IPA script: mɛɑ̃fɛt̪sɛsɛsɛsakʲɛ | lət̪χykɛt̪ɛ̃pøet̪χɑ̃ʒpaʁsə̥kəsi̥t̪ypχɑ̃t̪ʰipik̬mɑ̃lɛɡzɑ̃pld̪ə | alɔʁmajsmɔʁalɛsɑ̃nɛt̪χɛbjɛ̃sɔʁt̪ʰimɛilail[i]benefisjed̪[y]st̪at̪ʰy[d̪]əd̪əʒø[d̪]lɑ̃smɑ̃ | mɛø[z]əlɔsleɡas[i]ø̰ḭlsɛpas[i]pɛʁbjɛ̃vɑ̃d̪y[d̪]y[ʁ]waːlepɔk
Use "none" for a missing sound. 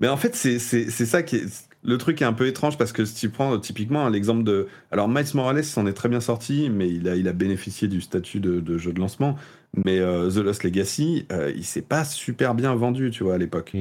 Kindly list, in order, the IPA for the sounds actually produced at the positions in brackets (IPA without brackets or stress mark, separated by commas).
a, y, d̪, d̪, z, i, y, t̪, v